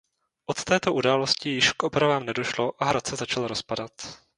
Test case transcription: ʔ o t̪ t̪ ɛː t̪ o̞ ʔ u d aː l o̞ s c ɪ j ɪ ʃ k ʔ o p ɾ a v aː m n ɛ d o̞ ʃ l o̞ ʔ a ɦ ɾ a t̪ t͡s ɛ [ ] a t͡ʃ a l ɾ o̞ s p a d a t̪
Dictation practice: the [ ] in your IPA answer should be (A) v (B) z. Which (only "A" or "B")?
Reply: B